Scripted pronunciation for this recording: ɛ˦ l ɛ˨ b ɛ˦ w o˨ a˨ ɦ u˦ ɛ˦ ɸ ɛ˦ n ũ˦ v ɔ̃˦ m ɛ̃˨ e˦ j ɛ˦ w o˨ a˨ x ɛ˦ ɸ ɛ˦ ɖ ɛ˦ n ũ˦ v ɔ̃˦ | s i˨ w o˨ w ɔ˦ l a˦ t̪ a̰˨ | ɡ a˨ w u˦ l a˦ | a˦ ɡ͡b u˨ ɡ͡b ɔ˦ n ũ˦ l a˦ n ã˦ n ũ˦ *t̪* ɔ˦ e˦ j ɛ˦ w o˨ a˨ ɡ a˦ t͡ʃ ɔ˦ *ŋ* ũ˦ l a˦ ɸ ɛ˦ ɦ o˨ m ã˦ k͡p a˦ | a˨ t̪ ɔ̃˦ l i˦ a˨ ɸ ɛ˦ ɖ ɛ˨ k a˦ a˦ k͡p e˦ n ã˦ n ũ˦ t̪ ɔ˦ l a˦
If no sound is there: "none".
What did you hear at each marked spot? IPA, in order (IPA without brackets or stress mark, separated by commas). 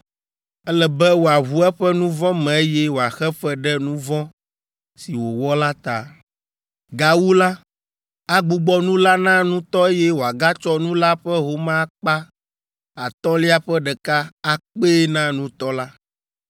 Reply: t̪, n